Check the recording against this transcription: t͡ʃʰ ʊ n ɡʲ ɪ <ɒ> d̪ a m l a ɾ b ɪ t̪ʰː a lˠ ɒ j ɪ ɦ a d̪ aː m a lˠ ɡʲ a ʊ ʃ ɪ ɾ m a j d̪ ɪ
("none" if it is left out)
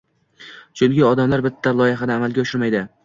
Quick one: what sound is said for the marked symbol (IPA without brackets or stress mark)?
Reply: ɒ